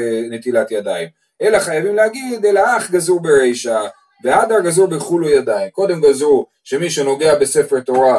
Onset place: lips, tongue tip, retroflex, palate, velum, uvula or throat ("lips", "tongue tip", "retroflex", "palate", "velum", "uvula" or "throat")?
tongue tip